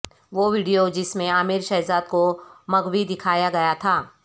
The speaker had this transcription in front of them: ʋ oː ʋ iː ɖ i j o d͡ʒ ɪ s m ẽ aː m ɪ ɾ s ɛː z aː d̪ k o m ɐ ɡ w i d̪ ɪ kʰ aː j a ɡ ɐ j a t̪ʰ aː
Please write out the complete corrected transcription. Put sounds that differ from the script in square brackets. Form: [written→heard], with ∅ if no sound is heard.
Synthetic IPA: ʋ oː ʋ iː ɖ i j o d͡ʒ ɪ s m ẽ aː m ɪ ɾ [s→ʃ] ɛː z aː d̪ k o m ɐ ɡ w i d̪ ɪ kʰ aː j a ɡ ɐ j a t̪ʰ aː